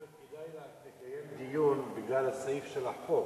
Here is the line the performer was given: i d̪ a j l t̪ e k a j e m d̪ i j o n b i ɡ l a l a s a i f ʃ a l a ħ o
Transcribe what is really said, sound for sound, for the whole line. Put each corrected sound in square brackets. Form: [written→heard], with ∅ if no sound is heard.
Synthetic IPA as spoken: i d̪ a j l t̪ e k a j e m d̪ i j [o→u] n b i ɡ l a l a s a i f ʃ [a→e] l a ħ o